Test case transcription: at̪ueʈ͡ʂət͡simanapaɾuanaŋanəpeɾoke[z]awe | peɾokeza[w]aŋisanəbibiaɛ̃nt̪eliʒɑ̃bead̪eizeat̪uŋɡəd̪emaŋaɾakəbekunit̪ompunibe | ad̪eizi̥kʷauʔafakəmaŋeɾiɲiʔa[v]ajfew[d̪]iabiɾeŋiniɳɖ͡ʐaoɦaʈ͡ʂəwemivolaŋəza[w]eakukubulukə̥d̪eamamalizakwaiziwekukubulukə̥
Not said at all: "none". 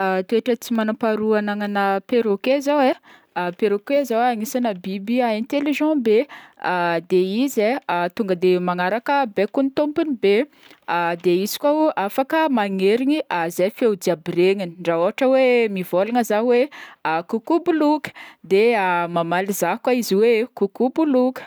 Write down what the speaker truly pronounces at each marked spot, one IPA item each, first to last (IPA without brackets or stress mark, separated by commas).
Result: z, w, z, d̪, w